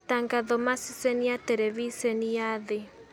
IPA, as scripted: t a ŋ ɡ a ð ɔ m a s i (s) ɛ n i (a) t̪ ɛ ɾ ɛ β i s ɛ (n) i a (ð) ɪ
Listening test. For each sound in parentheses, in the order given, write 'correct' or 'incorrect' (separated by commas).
correct, correct, correct, correct